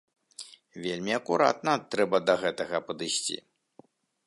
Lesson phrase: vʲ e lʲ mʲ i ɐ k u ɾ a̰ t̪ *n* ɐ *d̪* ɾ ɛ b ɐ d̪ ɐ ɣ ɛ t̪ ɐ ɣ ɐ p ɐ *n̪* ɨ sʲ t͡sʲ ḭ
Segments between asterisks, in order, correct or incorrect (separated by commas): correct, incorrect, incorrect